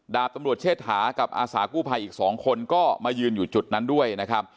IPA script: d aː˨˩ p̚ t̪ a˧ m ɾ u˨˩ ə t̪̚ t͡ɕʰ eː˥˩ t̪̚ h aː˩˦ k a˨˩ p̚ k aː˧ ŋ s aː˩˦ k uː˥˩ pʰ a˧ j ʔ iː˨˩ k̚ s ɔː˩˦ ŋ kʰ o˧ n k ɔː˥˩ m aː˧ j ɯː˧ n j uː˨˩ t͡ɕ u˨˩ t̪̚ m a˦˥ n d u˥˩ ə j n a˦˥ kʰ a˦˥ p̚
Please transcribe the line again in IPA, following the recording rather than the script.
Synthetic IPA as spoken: d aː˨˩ p̚ t̪ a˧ m ɾ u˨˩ ə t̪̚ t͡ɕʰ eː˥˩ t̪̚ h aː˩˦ k a˨˩ p̚ ʔ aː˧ s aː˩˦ k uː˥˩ pʰ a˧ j ʔ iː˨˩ k̚ s ɔː˩˦ ŋ kʰ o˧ n k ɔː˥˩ m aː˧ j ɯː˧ n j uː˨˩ t͡ɕ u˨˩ t̪̚ n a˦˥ n d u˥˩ ə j n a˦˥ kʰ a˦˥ p̚

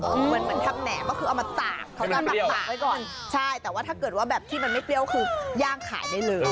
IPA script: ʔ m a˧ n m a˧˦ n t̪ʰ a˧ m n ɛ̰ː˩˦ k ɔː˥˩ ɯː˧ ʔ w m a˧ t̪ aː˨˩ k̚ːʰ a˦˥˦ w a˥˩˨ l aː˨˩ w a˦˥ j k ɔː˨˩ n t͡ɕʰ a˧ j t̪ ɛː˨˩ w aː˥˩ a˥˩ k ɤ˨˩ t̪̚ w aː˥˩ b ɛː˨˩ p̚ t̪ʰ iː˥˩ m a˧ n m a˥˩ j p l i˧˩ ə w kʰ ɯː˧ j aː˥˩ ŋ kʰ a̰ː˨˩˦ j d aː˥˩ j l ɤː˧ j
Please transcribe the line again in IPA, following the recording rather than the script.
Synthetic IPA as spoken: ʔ m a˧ n m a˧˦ n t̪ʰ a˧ m n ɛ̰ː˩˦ k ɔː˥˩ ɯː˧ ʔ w m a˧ t̪ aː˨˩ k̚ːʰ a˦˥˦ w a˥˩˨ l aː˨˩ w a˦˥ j k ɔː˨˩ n t͡ɕʰ a˥˩ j t̪ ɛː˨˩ w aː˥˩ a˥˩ k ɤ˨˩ t̪̚ w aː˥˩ b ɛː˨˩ p̚ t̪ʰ iː˥˩ m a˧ n m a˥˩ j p l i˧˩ ə w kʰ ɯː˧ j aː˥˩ ŋ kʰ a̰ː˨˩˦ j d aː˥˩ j l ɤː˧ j

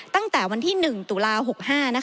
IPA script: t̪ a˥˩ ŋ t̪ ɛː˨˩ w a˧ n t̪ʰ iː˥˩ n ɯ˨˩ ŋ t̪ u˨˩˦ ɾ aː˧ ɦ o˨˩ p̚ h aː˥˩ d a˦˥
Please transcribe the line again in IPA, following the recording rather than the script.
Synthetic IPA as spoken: t̪ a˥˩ ŋ t̪ ɛː˨˩ w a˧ n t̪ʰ iː˥˩ n ɯ˨˩ ŋ t̪ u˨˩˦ l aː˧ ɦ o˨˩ k̚ h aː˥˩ n a˦˥

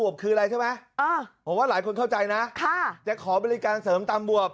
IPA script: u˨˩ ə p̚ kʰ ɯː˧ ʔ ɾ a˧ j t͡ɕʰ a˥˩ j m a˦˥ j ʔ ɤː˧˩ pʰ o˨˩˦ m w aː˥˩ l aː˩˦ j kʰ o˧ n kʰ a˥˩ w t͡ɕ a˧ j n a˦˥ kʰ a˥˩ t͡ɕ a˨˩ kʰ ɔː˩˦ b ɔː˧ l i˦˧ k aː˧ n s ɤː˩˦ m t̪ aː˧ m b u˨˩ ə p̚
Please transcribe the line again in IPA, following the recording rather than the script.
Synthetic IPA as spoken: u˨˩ ə p̚ kʰ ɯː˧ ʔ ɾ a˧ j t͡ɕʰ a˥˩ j m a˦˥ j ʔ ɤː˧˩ pʰ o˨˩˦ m w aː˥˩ l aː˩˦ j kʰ o˧ n kʰ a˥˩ w t͡ɕ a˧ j n a˦˥ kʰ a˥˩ t͡ɕ a˨˩ kʰ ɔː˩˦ b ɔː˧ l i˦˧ k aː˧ n s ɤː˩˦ m t̪ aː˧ m b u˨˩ ə p̚

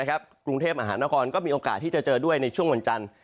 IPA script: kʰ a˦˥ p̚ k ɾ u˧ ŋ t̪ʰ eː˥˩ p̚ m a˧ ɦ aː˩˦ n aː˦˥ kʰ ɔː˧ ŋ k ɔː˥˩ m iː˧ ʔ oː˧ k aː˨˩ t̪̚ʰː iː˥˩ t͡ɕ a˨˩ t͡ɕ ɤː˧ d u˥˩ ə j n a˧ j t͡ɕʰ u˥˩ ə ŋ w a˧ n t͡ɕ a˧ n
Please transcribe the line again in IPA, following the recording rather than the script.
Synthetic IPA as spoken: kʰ a˦˥ p̚ k ɾ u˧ ŋ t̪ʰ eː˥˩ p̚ m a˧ ɦ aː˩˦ n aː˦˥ kʰ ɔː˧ n k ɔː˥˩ m iː˧ ʔ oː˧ k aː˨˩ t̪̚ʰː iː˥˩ t͡ɕ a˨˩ t͡ɕ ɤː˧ d u˥˩ ə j n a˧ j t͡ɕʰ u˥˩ ə ŋ w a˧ n t͡ɕ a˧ n

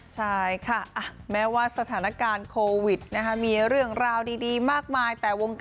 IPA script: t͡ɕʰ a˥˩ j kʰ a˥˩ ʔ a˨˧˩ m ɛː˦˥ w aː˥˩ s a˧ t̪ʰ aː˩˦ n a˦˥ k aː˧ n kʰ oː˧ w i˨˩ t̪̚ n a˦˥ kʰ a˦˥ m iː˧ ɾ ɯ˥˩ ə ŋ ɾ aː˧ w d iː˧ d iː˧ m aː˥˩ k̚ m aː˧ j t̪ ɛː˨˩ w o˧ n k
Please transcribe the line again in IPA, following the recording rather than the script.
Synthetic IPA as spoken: t͡ɕʰ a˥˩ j kʰ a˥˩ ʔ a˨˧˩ m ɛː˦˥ w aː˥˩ s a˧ t̪ʰ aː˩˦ n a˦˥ k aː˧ n kʰ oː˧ w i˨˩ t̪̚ n a˦˥ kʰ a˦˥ m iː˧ ɾ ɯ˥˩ ə ŋ ɾ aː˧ w d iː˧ d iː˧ m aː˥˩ k̚ m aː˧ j t̪ ɛː˨˩ w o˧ ŋ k

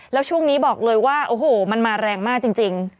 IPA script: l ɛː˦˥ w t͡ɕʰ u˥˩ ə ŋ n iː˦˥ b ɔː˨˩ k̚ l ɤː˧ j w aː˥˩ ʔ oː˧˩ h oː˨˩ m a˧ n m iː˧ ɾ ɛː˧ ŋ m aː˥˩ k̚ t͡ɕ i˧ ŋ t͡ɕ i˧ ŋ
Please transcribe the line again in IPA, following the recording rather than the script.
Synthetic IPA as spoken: l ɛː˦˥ w t͡ɕʰ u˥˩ ə ŋ n iː˦˥ b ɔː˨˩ k̚ l ɤː˧ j w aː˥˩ ʔ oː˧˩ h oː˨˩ m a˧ n m aː˧ ɾ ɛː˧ ŋ m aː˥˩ k̚ t͡ɕ i˧ ŋ t͡ɕ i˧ ŋ

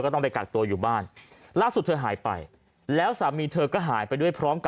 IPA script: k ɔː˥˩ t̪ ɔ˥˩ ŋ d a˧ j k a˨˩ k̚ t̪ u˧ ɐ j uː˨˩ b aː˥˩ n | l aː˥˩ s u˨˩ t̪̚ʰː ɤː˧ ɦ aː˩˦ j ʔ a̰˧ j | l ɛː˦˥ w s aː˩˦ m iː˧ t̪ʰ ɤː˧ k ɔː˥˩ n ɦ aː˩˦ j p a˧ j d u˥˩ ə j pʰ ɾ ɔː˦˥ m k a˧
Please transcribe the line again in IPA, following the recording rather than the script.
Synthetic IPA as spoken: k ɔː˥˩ t̪ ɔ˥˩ ŋ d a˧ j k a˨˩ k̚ t̪ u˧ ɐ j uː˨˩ b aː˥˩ n | l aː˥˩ s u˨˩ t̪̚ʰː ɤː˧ ɦ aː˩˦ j p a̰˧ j | l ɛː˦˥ w s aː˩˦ m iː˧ t̪ʰ ɤː˧ k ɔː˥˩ ɦ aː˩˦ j p a˧ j d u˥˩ ə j pʰ ɾ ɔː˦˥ m k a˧

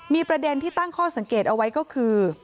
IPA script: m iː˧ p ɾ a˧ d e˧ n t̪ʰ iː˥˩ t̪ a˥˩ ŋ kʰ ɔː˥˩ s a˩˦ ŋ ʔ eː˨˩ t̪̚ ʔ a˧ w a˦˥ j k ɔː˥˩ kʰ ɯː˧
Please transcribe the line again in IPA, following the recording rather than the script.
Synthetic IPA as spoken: m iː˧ p ɾ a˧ d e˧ n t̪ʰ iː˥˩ t̪ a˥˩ ŋ kʰ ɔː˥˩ s a˩˦ ŋ k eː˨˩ t̪̚ ʔ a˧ w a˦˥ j k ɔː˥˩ kʰ ɯː˧

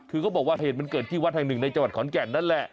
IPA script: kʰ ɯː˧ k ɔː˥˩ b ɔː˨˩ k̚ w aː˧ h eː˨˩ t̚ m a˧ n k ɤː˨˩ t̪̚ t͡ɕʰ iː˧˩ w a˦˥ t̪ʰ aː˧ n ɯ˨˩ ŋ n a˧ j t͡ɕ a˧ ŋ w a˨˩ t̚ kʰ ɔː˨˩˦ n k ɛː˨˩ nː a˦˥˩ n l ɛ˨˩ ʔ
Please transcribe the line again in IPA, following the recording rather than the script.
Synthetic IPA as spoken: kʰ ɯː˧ k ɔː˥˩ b ɔː˨˩ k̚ w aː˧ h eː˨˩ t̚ m a˧ n k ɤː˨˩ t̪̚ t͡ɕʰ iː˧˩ w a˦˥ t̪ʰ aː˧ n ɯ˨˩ ŋ n a˧ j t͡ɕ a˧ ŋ w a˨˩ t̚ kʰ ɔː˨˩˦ n k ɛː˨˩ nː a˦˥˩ n l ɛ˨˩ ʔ

